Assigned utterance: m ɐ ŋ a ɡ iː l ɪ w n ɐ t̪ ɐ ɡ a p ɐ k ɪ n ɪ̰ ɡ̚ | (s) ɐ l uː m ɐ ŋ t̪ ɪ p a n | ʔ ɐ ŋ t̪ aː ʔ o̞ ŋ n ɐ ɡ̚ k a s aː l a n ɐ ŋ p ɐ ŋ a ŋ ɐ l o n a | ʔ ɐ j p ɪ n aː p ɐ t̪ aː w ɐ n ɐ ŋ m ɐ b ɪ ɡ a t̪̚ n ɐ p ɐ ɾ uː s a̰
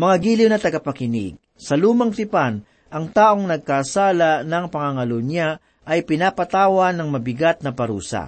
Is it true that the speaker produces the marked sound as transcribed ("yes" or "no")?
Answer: yes